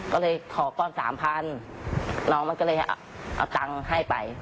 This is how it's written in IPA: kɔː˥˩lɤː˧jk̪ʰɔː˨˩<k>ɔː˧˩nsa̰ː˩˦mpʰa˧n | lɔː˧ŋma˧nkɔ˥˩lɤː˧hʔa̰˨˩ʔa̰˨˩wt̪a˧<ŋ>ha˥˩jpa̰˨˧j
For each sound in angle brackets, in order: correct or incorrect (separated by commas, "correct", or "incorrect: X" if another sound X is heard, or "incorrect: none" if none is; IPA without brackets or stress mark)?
correct, correct